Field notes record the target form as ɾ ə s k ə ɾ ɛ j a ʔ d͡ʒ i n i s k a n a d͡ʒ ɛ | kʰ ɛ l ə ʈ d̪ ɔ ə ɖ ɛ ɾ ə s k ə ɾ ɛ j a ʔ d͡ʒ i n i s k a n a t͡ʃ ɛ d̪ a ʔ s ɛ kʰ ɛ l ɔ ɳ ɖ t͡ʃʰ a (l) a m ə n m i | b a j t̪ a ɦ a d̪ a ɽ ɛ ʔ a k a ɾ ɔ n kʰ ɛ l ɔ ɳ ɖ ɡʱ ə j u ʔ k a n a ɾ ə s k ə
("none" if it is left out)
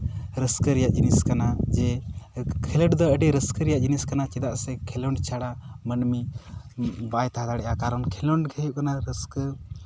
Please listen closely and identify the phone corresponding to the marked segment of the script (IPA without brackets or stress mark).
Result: ɽ